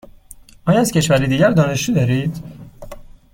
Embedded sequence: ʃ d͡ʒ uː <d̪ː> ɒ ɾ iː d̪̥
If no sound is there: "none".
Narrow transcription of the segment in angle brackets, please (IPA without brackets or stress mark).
d̪